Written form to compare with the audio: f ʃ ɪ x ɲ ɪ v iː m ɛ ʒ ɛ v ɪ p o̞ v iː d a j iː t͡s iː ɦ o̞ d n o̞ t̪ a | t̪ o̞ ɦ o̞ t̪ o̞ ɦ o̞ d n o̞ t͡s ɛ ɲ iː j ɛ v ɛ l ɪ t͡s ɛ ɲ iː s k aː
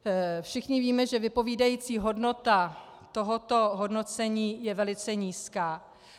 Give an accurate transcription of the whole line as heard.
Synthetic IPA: f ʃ ɪ x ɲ ɪ v iː m ɛ ʒ ɛ v ɪ p o̞ v iː d a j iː t͡s iː ɦ o̞ d n o̞ t̪ a | t̪ o̞ ɦ o̞ t̪ o̞ ɦ o̞ d n o̞ t͡s ɛ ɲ iː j ɛ v ɛ l ɪ t͡s ɛ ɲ iː s k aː